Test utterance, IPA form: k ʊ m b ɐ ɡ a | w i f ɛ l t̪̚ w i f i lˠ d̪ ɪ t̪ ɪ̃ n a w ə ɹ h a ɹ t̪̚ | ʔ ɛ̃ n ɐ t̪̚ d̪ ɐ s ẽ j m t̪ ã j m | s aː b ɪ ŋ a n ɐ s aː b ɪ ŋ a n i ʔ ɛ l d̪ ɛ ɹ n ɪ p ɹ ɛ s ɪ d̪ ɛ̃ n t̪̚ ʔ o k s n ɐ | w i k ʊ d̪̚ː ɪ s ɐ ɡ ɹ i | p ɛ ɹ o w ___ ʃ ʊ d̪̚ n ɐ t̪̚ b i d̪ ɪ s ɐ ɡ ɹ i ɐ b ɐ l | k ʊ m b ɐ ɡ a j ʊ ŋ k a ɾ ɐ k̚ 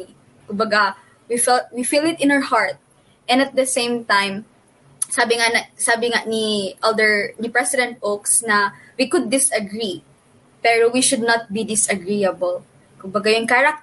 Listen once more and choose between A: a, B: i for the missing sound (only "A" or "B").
B